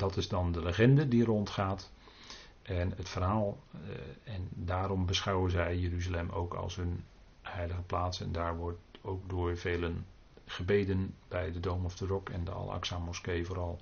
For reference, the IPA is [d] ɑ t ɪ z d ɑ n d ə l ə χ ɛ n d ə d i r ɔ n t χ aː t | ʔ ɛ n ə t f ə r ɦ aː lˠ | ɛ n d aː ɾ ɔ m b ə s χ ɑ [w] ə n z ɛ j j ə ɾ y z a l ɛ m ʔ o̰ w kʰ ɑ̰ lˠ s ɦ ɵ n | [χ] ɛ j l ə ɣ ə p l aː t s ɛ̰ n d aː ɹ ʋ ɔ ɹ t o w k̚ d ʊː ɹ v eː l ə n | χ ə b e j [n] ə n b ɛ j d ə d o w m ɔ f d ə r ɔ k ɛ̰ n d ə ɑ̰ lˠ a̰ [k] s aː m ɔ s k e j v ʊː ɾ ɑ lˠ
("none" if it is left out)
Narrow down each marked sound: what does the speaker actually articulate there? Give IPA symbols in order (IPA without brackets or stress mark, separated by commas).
d, w, h, d, k